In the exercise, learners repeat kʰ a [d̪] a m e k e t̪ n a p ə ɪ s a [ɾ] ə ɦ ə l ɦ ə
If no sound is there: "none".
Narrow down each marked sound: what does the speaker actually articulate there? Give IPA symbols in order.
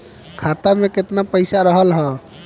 t̪, ɾ

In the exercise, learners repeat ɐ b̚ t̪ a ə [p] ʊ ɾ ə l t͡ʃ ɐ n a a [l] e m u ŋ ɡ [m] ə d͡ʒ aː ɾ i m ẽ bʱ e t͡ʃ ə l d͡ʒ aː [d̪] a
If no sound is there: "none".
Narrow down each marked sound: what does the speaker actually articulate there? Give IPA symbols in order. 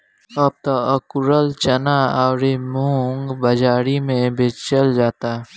k, ɾ, b, t̪

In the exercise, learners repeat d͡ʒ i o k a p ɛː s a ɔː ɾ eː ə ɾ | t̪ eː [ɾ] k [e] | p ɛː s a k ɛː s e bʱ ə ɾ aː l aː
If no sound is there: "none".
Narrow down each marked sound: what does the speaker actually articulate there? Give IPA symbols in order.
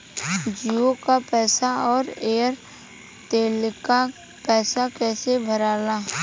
l, a

